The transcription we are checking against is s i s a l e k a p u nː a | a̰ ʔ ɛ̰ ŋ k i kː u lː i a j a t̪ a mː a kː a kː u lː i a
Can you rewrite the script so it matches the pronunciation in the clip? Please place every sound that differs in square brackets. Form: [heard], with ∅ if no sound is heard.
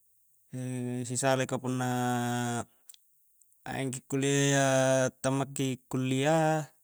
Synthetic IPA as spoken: s i s a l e k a p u nː a | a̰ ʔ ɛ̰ ŋ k i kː u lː i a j a t̪ a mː a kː [i] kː u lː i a